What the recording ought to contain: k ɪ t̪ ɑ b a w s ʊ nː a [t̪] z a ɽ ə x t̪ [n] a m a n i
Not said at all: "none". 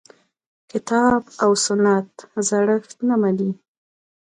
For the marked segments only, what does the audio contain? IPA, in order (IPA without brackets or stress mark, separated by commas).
t̪, n